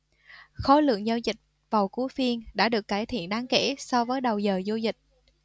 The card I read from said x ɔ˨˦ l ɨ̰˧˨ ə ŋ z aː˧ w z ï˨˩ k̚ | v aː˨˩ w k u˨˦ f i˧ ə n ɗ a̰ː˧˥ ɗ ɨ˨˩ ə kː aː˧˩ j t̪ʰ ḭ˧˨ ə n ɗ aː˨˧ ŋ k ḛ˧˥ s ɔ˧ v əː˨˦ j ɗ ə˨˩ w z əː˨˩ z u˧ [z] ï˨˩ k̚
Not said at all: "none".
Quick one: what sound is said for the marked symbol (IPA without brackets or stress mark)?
z